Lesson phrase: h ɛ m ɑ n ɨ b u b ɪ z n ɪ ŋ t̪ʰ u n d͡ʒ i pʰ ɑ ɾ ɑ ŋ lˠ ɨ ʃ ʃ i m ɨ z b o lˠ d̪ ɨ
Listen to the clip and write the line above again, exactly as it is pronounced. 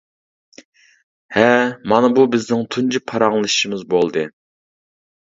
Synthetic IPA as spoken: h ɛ m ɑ n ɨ b u b ɪ z n ɪ ŋ t̪ʰ u n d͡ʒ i pʰ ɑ ɾ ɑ ŋ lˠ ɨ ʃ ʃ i m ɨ z b o lˠ d̪ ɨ